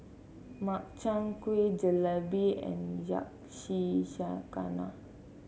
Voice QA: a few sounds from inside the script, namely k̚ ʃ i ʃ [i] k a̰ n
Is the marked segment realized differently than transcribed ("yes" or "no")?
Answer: yes